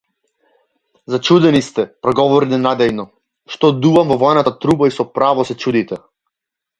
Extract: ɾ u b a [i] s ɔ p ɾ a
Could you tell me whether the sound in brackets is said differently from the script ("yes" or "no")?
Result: no